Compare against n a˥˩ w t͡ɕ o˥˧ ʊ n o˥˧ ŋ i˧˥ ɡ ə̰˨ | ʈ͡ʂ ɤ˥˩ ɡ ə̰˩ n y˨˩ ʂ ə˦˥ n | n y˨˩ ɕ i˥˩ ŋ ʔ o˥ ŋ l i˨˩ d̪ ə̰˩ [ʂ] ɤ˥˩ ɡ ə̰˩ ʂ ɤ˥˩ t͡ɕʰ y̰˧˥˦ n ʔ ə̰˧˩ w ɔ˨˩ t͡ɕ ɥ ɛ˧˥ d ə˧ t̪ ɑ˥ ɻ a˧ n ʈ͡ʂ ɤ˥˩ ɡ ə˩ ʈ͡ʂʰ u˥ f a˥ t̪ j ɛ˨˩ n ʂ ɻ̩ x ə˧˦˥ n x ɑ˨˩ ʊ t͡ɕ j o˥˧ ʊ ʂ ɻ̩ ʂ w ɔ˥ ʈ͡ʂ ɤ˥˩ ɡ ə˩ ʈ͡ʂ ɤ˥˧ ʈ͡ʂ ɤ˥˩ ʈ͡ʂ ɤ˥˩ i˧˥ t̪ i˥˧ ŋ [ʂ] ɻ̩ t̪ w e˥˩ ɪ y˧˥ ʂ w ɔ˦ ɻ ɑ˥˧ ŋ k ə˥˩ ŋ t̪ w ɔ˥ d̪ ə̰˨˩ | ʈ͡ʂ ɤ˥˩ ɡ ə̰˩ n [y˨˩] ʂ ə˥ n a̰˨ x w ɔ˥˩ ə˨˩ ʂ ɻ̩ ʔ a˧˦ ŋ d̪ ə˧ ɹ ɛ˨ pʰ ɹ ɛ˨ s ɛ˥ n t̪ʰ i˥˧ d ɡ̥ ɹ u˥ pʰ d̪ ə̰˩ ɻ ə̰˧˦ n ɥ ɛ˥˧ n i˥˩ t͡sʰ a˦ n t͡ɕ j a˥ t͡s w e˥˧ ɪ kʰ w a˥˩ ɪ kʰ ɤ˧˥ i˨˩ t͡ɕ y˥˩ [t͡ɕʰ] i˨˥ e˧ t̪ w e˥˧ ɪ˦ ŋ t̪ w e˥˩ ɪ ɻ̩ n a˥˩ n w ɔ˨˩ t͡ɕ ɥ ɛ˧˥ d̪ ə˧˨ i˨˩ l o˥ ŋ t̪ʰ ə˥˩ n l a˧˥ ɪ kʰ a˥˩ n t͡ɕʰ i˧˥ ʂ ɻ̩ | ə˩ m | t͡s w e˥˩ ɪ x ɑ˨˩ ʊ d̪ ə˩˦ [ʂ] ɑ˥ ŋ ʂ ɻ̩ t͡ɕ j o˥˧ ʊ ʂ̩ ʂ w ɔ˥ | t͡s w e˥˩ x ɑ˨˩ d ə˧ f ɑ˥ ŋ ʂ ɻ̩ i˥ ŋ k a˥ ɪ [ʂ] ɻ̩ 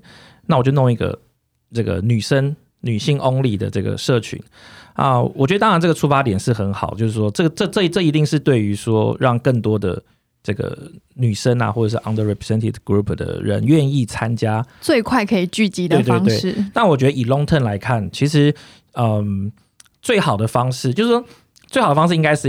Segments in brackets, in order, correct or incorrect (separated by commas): incorrect, correct, correct, incorrect, incorrect, correct